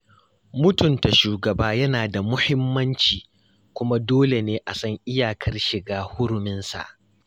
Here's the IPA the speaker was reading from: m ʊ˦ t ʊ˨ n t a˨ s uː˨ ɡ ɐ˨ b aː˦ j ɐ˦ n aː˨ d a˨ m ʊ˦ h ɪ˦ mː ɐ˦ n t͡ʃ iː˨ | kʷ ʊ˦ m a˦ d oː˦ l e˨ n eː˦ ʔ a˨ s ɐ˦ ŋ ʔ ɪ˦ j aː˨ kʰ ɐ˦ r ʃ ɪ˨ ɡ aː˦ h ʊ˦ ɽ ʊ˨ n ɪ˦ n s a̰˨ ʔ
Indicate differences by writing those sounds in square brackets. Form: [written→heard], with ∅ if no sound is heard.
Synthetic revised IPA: m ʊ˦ t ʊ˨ n t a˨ [s→ʃ] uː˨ ɡ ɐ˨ b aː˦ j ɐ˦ n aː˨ d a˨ m ʊ˦ h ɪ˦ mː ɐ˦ n t͡ʃ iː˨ | kʷ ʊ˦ m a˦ d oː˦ l e˨ n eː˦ ʔ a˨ s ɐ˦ ŋ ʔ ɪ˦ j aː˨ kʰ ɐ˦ r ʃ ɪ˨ ɡ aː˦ h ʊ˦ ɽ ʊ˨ [n→m] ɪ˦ n s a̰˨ ʔ